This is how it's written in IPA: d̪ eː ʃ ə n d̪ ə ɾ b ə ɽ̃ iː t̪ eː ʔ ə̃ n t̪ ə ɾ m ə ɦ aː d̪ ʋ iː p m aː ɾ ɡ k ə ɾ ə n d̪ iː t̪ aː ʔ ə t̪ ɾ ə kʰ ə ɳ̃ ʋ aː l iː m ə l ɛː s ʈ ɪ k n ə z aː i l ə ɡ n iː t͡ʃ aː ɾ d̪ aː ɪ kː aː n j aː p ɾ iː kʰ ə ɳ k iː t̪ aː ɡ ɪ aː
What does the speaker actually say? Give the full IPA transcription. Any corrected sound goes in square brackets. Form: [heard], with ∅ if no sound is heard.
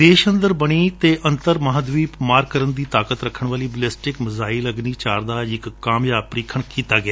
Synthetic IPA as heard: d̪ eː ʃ ə n d̪ ə ɾ b ə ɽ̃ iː t̪ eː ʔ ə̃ n t̪ ə ɾ m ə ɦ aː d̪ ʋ iː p m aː ɾ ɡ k ə ɾ ə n d̪ iː t̪ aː [k] ə t̪ ɾ ə kʰ ə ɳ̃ ʋ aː l iː [b] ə l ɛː s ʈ ɪ k [m] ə z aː i l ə ɡ n iː t͡ʃ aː ɾ d̪ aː ɪ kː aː [m] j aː p ɾ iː kʰ ə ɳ k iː t̪ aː ɡ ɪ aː